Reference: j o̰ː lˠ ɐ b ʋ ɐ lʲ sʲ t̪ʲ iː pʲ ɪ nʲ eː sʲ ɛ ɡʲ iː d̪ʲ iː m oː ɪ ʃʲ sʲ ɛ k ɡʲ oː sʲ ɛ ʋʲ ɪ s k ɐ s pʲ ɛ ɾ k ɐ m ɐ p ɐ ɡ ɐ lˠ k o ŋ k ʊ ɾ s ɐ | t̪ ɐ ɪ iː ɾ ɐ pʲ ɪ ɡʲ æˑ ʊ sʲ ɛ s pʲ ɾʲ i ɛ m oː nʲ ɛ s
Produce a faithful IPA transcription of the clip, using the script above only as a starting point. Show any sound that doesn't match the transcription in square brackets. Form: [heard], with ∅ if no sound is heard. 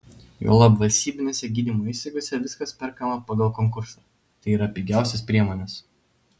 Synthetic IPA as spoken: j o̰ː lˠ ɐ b ʋ ɐ lʲ sʲ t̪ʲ iː [bʲ] ɪ nʲ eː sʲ ɛ ɡʲ iː d̪ʲ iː m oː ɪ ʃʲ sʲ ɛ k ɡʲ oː sʲ ɛ ʋʲ ɪ s k ɐ s pʲ ɛ ɾ k ɐ m ɐ p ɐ ɡ ɐ lˠ k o ŋ k ʊ ɾ s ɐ | t̪ ɐ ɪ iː ɾ ɐ pʲ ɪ ɡʲ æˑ ʊ sʲ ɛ s pʲ ɾʲ i ɛ m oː nʲ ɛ s